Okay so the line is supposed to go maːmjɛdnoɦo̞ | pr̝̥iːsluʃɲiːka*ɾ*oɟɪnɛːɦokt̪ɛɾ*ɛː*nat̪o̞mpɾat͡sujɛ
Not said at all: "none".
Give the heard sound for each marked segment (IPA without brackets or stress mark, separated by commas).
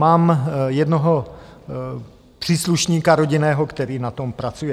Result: ɾ, iː